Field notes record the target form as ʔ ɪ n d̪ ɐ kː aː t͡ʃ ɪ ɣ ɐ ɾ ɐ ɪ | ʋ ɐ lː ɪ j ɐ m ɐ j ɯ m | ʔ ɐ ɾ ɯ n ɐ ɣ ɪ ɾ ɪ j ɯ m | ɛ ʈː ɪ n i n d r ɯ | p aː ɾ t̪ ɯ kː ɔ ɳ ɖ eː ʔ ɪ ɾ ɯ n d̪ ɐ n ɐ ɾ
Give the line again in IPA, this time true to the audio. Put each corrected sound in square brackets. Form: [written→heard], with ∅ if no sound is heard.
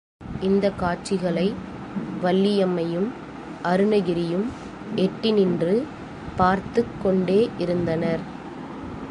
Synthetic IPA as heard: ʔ ɪ n d̪ ɐ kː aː t͡ʃ ɪ ɣ ɐ [ɾ→ɭ] ɐ ɪ | ʋ ɐ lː ɪ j ɐ m ɐ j ɯ m | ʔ ɐ ɾ ɯ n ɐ ɣ ɪ ɾ ɪ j ɯ m | ɛ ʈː ɪ n [i→ɪ] n d r ɯ | p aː ɾ t̪ ɯ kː ɔ ɳ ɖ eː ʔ ɪ ɾ ɯ n d̪ ɐ n ɐ ɾ

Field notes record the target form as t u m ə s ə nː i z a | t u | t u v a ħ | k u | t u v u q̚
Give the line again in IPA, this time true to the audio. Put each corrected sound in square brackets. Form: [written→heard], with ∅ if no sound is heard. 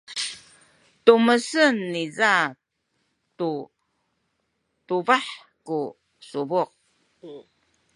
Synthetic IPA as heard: t u m ə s ə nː i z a | t u | t u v a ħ | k u | [t→s] u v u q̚

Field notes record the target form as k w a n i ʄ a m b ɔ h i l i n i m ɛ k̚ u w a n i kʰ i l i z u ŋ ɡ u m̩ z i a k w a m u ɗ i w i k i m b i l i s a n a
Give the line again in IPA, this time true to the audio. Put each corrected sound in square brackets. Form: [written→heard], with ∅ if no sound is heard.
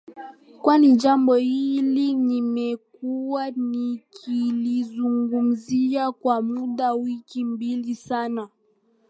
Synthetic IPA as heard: k w a n i ʄ a m b ɔ h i l i n i m ɛ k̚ u w a n i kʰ i l i z u ŋ ɡ u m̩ z i a k w a m u ɗ [i→a] w i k i m b i l i s a n a

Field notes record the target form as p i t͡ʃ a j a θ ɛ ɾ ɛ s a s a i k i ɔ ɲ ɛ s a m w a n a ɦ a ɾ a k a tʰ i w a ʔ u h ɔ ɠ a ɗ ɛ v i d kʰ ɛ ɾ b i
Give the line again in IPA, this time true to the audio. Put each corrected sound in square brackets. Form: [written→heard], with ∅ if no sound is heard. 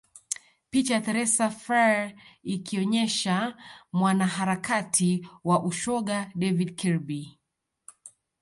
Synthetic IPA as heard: p i t͡ʃ a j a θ ɛ ɾ ɛ s a [s→f] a i k i ɔ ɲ ɛ [s→ʃ] a m w a n a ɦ a ɾ a k a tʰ i w a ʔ u [h→ʃ] ɔ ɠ a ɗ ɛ v i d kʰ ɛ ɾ b i

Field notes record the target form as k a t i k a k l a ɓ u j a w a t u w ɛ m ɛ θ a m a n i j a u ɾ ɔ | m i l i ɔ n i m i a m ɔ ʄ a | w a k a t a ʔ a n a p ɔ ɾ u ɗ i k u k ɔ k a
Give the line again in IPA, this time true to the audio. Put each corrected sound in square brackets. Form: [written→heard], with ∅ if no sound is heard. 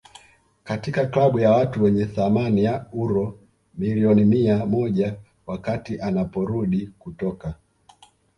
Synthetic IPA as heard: k a t i k a k l a ɓ u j a w a t u w ɛ [m→ɲ] ɛ θ a m a n i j a u ɾ ɔ | m i l i ɔ n i m i a m ɔ ʄ a | w a k a t [a→i] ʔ a n a p ɔ ɾ u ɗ i k u [k→t] ɔ k a

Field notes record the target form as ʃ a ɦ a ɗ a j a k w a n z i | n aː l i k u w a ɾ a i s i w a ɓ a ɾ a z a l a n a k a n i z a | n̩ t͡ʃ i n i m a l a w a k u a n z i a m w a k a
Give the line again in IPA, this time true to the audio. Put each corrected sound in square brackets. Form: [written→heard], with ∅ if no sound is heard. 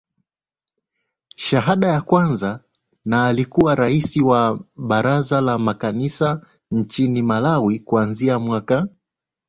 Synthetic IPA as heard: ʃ a ɦ a ɗ a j a k w a n z [i→a] | n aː l i k u w a ɾ a i s i w a ɓ a ɾ a z a l a [n→m] a k a n i [z→s] a | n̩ t͡ʃ i n i m a l a w [a→i] k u a n z i a m w a k a

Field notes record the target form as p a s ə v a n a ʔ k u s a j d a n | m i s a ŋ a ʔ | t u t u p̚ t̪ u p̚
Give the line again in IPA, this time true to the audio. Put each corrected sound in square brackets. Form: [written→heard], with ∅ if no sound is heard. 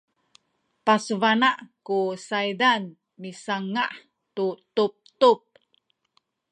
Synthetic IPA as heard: p a s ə v a n a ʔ k u s a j d a n | m i s a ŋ a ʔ | t u t u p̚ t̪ u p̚

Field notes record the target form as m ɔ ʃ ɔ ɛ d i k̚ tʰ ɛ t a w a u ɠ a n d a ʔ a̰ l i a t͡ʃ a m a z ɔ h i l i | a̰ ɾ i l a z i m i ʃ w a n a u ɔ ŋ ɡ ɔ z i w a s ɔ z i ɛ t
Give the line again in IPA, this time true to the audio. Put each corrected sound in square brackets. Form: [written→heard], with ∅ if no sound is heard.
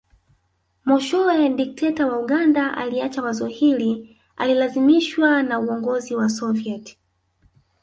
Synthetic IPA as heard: m ɔ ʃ ɔ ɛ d i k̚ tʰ ɛ t a w a u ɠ a n d a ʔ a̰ l i a t͡ʃ a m a z ɔ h i l i | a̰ [ɾ→l] i l a z i m i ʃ w a n a u ɔ ŋ ɡ ɔ z i w a s ɔ [z→v] i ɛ t

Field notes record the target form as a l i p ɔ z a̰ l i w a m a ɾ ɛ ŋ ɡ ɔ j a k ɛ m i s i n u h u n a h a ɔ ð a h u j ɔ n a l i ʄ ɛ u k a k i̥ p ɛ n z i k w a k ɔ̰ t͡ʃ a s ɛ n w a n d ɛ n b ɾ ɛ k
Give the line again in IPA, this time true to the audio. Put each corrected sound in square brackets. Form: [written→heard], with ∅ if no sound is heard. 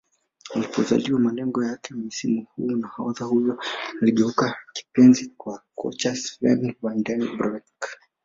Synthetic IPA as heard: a l i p ɔ z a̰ l i w a m a [ɾ→l] ɛ ŋ ɡ ɔ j a k ɛ m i s i [n→m] u h u n a h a ɔ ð a h u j ɔ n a l i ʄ ɛ u k a k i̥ p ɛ n z i k w a k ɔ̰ t͡ʃ a s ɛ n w a n d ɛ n b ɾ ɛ k

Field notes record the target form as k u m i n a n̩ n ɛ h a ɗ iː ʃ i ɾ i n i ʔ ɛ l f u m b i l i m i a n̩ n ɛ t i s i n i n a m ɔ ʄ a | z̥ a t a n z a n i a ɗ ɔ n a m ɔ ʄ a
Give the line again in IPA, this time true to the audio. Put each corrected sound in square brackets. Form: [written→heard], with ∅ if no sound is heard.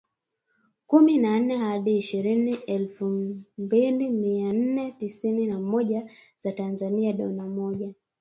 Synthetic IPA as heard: k u m i n a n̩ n ɛ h a ɗ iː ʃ i ɾ i n i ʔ ɛ l f u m b i l i m i a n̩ n ɛ t i s i n i n a m ɔ ʄ a | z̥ a t a n z a n i a ɗ ɔ n a m ɔ ʄ a

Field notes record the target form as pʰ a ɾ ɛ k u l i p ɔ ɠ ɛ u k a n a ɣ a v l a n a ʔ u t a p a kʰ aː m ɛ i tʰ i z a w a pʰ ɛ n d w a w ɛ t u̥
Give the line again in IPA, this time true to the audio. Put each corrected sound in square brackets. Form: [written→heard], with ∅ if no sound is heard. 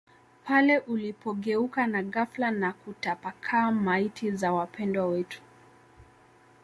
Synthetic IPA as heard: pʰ a [ɾ→l] ɛ [k→ʔ] u l i p ɔ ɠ ɛ u k a n a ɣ a [v→f] l a n a [ʔ→k] u t a p a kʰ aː m [ɛ→a] i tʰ i z a w a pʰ ɛ n d w a w ɛ t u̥

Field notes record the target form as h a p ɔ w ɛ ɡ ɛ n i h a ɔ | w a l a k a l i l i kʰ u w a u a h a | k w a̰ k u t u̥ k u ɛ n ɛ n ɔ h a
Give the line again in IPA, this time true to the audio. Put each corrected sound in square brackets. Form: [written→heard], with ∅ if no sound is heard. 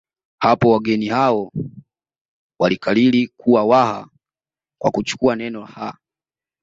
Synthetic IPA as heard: h a p ɔ w [ɛ→a] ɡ ɛ n i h a ɔ | w a l [a→i] k a l i l i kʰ u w a [u→w] a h a | k w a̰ k u [t→t͡ʃ] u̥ k u [ɛ→a] n ɛ n ɔ h a

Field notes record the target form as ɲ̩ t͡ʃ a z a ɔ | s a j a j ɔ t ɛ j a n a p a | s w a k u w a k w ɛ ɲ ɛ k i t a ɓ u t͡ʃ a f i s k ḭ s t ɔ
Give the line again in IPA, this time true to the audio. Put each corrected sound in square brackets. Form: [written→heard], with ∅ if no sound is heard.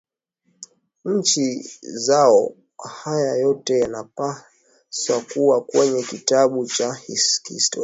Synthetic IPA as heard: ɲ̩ t͡ʃ [a→i] z a ɔ | [s→h] a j a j ɔ t ɛ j a n a p a | s w a k u w a k w ɛ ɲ ɛ k i t a ɓ u t͡ʃ a [f→h] i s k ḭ s t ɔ

